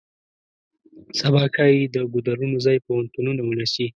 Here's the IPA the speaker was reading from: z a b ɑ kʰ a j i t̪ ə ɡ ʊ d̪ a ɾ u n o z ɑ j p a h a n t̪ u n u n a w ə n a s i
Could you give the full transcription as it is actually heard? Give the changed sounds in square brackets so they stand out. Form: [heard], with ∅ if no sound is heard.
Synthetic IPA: [s] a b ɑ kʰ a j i [d̪] ə ɡ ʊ d̪ a ɾ u n o z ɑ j p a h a n t̪ u n u n a w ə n a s i